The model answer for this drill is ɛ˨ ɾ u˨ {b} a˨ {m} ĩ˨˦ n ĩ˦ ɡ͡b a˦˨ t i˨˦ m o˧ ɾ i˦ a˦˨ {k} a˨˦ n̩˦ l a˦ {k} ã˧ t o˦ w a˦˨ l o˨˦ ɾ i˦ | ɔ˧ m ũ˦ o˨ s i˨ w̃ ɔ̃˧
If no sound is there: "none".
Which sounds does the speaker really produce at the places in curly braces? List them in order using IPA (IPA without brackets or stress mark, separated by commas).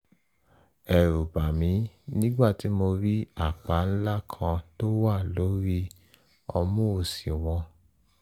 b, m, k͡p, kʰ